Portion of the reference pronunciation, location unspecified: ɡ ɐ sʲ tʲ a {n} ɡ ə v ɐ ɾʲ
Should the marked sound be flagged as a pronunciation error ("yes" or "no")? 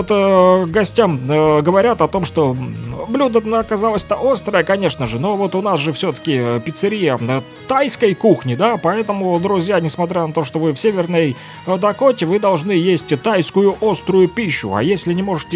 yes